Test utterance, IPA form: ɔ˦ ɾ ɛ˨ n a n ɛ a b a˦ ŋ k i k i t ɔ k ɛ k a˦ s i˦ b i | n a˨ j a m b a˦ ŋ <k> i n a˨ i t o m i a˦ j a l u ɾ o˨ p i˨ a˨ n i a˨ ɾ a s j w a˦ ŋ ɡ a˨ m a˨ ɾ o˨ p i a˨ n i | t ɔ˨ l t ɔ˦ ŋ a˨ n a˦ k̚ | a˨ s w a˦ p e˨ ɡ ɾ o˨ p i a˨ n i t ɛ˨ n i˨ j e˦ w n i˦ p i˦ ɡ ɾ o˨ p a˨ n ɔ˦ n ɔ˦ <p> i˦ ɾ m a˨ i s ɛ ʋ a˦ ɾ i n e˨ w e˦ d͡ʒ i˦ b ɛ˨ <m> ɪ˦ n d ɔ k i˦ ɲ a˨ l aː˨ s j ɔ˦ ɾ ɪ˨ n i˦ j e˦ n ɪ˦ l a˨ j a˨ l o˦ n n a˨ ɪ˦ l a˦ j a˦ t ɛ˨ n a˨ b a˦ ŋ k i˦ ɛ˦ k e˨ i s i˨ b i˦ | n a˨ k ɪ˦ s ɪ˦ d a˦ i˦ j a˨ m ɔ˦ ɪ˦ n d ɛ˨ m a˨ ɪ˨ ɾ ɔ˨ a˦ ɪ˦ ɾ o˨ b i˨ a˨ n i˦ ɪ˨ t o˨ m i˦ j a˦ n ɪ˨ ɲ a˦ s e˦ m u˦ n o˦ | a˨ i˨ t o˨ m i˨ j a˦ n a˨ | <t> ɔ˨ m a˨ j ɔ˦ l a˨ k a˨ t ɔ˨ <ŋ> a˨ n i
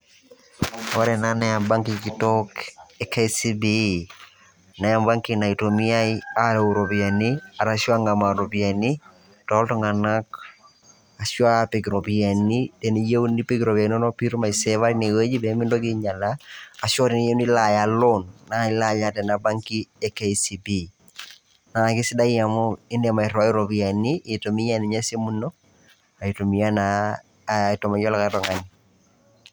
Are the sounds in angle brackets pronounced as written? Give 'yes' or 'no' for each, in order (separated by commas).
yes, yes, yes, yes, yes